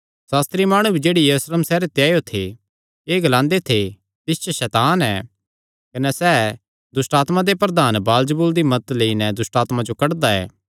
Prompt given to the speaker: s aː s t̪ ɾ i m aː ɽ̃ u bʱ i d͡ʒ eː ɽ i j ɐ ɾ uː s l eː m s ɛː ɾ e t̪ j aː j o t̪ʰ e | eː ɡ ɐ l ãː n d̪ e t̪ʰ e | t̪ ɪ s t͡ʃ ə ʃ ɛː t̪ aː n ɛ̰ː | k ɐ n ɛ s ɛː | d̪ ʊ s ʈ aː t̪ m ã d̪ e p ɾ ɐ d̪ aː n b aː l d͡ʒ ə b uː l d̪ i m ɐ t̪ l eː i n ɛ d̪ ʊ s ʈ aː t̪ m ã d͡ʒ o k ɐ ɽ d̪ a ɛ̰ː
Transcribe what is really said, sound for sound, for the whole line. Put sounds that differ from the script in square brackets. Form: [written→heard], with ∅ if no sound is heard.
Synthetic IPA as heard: s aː s t̪ ɾ i m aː ɽ̃ u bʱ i d͡ʒ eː ɽ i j ɐ ɾ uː s l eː m s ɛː ɾ e t̪ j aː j o t̪ʰ e | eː ɡ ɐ l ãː n d̪ e t̪ʰ e | t̪ ɪ s t͡ʃ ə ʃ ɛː t̪ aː n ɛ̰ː | k ɐ n ɛ s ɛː | d̪ ʊ s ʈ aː t̪ m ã d̪ e p ɾ ɐ d̪ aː n b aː l d͡ʒ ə b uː l d̪ i m ɐ t̪ l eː i n ɛ d̪ ʊ s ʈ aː t̪ m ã d͡ʒ o k ɐ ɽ d̪ a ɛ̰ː